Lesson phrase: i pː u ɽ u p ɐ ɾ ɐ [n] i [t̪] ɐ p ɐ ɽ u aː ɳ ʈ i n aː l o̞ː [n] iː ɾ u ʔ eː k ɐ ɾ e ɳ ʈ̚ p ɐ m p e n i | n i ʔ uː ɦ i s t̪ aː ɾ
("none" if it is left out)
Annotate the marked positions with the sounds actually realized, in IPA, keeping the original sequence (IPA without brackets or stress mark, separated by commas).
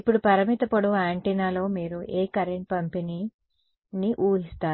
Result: m, t̪, m